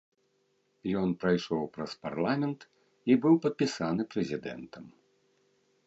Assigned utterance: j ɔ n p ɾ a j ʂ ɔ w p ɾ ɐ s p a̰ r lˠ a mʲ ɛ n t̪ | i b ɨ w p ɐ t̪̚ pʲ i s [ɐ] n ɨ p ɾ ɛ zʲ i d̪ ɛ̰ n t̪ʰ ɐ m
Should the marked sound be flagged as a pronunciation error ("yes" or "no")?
yes